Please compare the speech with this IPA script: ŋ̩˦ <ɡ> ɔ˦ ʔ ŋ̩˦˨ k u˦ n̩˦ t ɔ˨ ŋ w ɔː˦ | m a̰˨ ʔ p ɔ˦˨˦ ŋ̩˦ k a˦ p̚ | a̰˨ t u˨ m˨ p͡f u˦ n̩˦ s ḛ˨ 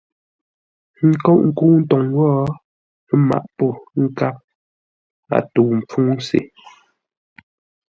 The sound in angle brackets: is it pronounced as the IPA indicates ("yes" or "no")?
no